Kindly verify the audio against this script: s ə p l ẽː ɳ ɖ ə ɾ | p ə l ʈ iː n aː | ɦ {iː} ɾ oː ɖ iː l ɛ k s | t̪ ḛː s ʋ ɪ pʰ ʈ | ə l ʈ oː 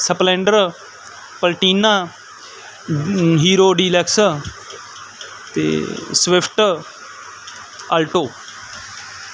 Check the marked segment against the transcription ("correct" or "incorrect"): correct